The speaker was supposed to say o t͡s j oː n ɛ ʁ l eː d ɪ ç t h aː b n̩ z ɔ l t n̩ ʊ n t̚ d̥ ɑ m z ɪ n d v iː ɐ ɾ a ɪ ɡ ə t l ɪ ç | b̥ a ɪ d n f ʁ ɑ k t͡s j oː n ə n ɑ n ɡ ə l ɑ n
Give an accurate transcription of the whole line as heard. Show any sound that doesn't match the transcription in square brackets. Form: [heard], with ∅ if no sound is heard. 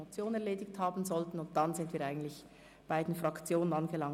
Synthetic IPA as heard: o t͡s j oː n ɛ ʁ l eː d ɪ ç t h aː b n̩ z ɔ l t n̩ ʊ n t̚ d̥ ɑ [n] z ɪ n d v iː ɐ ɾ a ɪ ɡ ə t l ɪ ç | b̥ a ɪ d n f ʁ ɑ k t͡s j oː n ə n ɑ n ɡ ə l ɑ [ŋ]